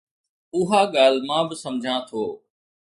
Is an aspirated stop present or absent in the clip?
present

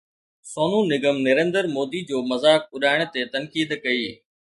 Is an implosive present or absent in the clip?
present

